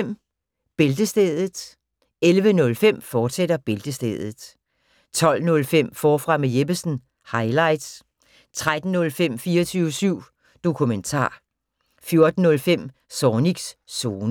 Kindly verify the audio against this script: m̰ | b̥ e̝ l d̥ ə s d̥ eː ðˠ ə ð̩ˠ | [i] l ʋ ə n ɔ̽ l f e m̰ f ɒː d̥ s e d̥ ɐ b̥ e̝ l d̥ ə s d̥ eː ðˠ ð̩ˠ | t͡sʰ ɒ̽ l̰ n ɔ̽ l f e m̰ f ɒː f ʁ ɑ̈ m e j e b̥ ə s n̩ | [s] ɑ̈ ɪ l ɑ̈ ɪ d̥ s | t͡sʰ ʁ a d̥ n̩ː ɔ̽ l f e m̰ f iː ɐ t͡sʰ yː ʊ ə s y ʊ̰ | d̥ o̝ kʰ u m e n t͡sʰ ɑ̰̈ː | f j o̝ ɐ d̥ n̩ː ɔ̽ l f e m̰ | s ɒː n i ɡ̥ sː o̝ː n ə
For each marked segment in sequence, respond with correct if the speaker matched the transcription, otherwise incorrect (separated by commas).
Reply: incorrect, incorrect